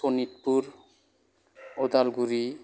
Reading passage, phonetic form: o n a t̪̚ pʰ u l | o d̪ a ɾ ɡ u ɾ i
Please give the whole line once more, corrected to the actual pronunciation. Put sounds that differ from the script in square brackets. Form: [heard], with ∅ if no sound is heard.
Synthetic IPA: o n [i] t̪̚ [p] u [ɾ] | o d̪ a [l] ɡ u ɾ i